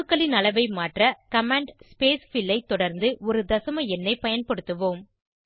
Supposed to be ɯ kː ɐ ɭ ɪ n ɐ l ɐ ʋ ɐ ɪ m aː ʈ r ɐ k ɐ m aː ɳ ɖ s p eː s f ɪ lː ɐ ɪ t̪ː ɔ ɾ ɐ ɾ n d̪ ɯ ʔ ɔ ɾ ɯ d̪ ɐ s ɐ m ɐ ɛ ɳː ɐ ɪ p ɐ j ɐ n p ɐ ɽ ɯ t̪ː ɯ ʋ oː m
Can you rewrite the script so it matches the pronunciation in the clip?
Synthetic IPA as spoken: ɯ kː ɐ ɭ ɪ n ɐ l ɐ ʋ ɐ ɪ m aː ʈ r ɐ k ɐ m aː ɳ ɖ s p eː s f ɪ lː ɐ ɪ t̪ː ɔ ɽ ɐ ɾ n d̪ ɯ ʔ ɔ ɾ ɯ d̪ ɐ s ɐ m ɐ ɛ nː ɐ ɪ p ɐ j ɐ n p ɐ ɽ ɯ t̪ː ɯ ʋ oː m